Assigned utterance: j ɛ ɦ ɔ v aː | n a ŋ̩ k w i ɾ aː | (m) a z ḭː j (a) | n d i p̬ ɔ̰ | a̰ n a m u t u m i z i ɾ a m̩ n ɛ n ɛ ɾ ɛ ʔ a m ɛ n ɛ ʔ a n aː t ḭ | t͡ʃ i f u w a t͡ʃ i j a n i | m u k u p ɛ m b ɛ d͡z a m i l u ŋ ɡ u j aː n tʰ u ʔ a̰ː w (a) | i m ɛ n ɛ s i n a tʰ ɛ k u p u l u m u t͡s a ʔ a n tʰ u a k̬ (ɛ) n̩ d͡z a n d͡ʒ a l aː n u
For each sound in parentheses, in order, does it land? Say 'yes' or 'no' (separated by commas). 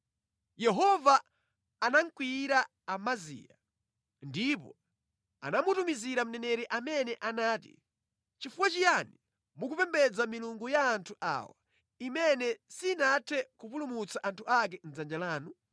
yes, yes, yes, yes